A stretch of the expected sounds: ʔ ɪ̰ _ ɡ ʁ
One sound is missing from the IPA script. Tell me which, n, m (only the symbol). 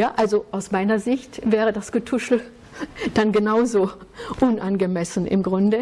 m